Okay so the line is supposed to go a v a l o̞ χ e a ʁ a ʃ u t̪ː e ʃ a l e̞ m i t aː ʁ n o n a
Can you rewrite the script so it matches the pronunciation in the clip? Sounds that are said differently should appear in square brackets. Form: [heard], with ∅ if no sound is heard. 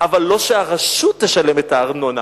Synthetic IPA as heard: a v a [lː] o̞ [ʃ] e a ʁ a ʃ u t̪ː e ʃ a l e̞ m [e] t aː ʁ n o n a